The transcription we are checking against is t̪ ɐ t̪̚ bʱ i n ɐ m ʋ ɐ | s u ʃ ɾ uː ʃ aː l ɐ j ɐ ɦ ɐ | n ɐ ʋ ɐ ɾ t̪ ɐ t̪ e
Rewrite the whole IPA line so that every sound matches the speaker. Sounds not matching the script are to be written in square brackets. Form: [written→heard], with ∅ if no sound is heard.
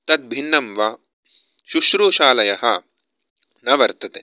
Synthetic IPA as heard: t̪ ɐ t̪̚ bʱ i [n→nː] ɐ m ʋ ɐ | [s→ʃ] u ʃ ɾ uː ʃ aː l ɐ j ɐ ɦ ɐ | n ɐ ʋ ɐ ɾ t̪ ɐ t̪ e